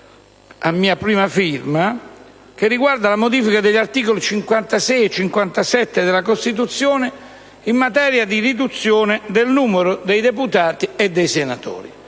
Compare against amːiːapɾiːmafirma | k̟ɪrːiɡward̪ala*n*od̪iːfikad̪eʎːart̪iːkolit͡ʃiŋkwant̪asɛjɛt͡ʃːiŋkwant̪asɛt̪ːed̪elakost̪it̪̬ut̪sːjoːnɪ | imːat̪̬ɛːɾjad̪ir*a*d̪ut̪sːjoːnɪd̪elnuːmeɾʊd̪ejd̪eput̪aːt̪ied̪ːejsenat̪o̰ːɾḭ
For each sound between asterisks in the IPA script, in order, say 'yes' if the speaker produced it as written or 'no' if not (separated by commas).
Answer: no, no